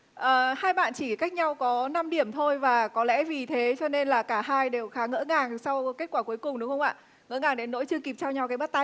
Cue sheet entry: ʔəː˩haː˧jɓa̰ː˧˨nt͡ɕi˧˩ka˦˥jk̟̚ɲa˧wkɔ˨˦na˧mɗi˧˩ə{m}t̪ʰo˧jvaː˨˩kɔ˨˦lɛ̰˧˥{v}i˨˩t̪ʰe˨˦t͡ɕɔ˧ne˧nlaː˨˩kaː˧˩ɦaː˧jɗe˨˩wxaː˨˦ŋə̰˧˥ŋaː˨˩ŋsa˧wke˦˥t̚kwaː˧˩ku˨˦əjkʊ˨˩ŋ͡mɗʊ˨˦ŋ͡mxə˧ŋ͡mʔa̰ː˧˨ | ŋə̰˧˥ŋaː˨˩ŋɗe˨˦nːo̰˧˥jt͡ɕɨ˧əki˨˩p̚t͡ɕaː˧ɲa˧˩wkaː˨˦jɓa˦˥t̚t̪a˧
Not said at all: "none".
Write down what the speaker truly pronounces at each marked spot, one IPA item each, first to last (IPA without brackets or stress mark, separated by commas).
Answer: m, v